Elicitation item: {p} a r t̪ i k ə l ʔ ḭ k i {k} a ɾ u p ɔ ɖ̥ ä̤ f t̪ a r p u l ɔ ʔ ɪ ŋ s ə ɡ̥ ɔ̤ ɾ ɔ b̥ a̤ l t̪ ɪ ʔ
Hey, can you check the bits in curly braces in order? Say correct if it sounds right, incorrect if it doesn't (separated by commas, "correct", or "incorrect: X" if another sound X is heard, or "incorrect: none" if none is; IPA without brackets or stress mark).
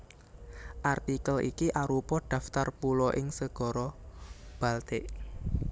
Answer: incorrect: ʔ, incorrect: ʔ